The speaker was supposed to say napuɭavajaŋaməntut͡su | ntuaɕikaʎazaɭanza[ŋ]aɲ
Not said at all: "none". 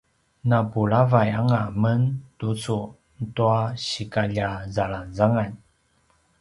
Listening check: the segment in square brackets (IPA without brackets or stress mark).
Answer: ŋ